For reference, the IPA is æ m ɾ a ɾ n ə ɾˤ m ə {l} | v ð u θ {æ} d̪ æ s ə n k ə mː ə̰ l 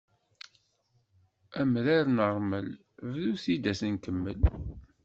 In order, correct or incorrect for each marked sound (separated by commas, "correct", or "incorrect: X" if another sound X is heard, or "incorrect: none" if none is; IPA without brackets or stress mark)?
correct, incorrect: i